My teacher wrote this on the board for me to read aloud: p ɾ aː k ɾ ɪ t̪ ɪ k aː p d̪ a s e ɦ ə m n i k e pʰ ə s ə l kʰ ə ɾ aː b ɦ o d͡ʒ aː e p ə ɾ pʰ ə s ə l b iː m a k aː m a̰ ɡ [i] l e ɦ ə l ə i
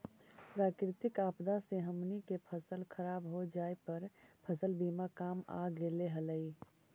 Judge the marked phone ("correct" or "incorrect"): incorrect